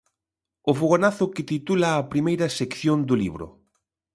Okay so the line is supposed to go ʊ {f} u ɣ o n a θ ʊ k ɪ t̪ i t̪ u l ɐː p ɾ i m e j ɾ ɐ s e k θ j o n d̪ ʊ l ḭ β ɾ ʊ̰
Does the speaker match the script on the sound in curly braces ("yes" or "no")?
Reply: yes